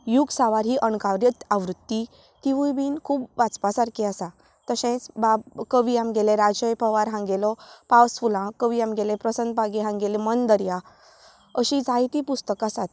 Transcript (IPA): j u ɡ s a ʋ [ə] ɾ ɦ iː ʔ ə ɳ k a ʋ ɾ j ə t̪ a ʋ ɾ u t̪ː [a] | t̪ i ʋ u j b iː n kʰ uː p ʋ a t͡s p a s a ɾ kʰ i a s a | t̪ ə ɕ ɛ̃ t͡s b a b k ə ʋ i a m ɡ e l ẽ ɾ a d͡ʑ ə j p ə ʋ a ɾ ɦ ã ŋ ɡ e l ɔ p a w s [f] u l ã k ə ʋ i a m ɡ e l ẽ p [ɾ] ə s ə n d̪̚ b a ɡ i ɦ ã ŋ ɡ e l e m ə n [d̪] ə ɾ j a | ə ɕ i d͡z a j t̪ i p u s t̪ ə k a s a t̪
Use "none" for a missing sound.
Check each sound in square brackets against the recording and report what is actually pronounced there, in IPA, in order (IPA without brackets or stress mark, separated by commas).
a, i, f, ɾ, d̪